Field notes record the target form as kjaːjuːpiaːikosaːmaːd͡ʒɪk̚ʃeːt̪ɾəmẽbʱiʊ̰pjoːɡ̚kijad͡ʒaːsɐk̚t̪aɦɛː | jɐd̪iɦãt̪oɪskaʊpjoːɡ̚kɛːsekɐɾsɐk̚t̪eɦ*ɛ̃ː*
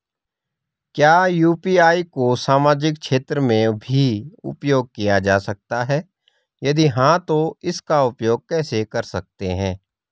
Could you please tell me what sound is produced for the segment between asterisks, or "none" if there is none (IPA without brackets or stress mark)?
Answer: ɛ̃ː